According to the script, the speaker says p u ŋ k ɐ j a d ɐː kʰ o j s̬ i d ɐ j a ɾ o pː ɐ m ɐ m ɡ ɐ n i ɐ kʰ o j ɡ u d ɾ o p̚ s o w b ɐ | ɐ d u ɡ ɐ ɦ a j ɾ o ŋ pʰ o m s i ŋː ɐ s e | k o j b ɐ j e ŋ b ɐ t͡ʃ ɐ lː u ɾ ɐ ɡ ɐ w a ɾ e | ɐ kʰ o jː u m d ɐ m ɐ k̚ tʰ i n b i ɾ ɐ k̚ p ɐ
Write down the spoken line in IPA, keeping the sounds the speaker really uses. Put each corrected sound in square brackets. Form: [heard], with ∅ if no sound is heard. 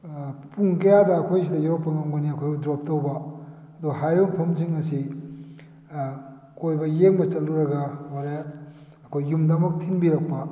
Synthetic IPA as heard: p u ŋ k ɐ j a d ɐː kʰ o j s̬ i d ɐ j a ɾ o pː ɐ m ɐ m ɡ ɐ n i ɐ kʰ o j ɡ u d ɾ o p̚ [t] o w b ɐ | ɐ d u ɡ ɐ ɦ a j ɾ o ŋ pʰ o m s i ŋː ɐ s [i] | k o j b ɐ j e ŋ b ɐ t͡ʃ ɐ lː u ɾ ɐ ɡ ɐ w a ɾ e | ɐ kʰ o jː u m d ɐ m ɐ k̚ tʰ i n b i ɾ ɐ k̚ p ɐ